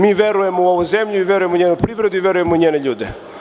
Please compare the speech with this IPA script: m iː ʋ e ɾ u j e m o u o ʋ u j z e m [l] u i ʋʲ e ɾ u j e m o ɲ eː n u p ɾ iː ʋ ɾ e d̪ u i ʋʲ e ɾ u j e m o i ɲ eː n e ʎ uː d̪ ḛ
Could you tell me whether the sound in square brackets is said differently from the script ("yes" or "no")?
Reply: yes